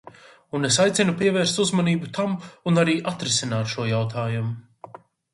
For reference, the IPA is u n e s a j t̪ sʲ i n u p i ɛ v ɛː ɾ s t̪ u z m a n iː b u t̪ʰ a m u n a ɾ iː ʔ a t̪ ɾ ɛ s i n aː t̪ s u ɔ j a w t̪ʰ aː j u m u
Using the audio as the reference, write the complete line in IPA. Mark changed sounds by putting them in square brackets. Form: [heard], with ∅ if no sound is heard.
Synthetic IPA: u n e s a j t̪ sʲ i n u p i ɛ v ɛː ɾ s t̪ u z m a n iː b u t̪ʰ a m u n a ɾ iː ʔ a t̪ ɾ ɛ s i n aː t̪ [ʃ] u ɔ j a w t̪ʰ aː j u m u